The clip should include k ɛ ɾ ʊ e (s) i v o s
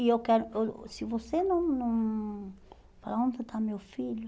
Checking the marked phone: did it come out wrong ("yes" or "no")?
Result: no